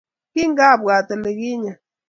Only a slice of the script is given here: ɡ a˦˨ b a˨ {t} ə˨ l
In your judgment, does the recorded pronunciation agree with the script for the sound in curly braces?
yes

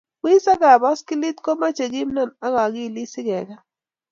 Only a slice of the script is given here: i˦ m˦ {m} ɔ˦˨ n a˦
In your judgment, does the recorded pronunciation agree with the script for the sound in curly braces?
no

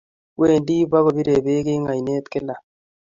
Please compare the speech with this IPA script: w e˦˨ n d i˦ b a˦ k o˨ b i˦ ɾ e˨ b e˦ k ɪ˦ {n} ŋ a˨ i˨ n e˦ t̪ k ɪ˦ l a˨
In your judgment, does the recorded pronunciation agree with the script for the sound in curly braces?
no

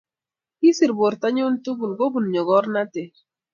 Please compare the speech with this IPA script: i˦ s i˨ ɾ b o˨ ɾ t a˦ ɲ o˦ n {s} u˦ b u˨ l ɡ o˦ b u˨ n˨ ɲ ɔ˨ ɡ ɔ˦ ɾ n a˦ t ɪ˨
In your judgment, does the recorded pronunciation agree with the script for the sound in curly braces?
no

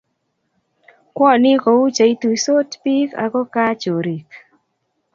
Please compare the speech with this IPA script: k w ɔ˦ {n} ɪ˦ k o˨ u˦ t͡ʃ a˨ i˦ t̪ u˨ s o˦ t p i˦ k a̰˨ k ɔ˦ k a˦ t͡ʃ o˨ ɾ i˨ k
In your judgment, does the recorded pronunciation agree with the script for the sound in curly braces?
yes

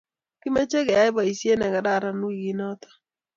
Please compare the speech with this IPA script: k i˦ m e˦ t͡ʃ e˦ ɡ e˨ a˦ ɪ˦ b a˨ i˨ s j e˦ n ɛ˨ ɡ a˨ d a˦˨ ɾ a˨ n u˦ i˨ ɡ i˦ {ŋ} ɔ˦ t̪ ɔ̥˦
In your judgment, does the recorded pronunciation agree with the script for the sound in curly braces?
no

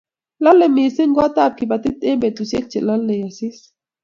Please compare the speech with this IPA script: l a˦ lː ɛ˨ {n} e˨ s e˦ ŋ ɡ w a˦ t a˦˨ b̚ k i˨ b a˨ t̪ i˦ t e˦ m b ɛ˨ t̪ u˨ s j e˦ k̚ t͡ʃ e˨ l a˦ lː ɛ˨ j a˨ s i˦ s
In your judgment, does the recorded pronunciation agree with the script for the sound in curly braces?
no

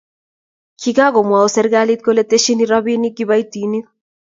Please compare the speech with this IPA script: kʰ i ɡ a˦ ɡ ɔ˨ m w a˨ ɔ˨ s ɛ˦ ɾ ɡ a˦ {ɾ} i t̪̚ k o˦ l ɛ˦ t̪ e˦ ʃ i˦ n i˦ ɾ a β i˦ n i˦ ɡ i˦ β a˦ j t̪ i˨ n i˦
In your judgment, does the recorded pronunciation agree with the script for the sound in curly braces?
no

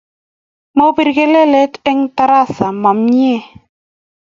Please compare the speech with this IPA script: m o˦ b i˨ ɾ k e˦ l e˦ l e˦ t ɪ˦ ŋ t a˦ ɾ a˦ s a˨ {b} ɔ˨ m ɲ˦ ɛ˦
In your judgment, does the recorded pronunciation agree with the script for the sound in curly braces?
no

